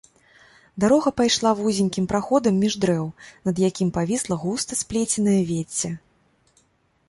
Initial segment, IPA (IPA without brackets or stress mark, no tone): d̪